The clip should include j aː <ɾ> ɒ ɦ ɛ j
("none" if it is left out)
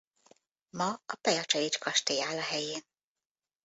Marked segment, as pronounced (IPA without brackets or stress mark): l